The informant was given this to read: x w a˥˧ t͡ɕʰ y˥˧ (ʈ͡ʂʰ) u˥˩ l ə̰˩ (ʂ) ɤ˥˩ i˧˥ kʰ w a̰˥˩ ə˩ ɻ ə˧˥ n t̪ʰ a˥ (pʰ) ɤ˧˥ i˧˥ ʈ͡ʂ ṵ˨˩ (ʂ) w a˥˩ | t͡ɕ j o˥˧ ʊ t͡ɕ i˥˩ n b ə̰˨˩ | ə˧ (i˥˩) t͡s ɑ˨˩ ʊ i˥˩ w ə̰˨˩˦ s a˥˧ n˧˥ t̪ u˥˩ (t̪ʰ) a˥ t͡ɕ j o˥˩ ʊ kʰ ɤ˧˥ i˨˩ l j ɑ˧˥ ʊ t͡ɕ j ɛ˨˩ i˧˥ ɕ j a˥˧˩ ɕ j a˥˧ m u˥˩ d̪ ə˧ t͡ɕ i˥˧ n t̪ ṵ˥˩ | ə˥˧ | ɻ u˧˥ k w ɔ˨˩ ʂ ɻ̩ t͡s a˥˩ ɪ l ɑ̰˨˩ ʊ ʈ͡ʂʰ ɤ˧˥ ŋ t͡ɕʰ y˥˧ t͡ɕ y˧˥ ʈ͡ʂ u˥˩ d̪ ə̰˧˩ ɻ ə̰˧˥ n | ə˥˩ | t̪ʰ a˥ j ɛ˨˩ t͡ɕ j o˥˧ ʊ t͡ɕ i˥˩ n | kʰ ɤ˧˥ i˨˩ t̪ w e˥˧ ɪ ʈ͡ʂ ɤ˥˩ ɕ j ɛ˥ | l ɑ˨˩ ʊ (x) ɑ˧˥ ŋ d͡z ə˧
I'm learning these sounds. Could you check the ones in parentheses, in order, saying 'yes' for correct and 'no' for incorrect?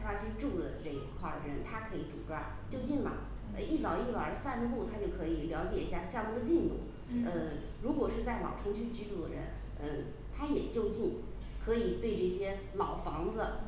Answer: no, no, no, no, yes, yes, no

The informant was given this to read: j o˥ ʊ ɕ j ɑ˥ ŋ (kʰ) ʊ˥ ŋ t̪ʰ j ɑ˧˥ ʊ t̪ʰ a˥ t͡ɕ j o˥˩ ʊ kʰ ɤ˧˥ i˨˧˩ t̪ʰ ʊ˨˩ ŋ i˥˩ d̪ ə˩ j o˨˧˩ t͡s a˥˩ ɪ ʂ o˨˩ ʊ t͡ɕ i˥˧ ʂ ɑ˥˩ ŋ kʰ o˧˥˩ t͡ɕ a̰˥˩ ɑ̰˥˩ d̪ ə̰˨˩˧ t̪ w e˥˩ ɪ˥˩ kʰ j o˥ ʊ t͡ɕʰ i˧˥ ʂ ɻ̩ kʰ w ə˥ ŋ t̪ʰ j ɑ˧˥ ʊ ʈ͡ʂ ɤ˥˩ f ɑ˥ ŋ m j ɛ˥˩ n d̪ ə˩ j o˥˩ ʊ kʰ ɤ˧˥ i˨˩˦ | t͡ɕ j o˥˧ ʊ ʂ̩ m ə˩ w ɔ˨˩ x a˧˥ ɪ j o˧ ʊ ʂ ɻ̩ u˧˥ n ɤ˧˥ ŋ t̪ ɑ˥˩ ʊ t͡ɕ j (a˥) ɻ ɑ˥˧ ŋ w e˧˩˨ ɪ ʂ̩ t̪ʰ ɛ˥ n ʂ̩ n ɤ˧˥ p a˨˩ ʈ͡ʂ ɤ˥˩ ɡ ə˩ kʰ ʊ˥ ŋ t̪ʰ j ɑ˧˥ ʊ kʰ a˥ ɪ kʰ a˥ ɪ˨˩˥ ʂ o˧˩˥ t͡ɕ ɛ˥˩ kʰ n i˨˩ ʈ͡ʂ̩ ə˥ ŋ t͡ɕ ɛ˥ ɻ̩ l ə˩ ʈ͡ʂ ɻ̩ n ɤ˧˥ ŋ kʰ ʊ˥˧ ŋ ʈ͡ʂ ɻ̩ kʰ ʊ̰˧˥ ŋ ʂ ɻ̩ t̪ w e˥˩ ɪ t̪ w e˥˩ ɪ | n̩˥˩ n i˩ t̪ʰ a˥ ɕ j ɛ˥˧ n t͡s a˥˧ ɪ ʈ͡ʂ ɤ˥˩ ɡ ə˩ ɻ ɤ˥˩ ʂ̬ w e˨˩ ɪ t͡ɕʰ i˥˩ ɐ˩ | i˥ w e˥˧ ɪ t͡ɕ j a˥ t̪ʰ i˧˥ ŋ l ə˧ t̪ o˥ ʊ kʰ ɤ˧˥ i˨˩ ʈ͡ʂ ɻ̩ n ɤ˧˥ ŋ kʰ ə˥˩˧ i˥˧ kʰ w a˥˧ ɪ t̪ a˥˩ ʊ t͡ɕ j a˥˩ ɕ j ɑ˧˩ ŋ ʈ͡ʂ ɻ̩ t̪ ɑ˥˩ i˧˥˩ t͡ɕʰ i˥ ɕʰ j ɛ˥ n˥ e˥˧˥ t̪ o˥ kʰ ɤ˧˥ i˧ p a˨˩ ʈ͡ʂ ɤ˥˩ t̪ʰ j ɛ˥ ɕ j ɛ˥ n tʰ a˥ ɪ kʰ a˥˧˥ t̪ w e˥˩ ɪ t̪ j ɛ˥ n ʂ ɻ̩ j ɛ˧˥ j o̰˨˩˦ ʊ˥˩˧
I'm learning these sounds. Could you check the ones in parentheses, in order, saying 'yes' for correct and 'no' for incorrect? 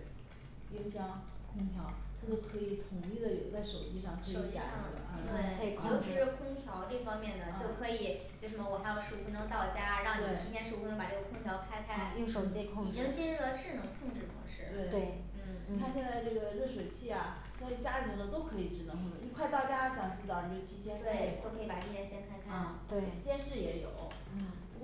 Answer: yes, yes

